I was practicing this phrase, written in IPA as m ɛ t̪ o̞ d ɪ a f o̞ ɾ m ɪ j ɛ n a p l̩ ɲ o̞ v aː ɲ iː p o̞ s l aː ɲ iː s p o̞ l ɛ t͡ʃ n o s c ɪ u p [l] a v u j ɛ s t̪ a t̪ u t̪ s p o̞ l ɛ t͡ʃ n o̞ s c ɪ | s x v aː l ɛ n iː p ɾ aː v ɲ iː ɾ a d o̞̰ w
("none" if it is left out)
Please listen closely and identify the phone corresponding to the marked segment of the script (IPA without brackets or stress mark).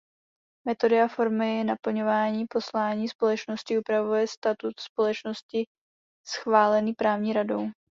ɾ